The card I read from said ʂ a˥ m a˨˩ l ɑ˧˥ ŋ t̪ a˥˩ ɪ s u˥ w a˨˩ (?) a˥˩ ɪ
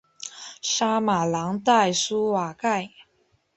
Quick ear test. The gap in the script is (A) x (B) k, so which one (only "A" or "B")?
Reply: B